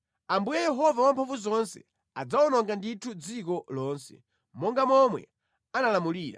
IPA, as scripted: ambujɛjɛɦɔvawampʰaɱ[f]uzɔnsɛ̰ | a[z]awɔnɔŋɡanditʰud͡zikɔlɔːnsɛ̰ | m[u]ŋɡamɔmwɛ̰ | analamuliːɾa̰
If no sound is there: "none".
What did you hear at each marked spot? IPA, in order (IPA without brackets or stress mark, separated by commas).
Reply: v, d͡z, ɔ